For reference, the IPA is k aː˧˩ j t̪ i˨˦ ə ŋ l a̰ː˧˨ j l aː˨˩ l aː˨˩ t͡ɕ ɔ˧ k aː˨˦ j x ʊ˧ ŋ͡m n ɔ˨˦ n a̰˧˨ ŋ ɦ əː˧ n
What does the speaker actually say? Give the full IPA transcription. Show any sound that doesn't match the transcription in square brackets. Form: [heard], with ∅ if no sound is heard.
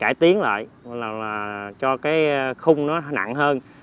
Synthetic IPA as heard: k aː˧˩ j t̪ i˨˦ ə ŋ l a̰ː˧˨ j l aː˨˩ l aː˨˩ t͡ɕ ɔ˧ k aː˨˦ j x ʊ˧ ŋ͡m n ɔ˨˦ n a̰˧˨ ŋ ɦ əː˧ n